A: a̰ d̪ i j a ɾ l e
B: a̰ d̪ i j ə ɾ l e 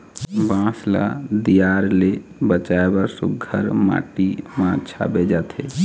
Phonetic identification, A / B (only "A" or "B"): A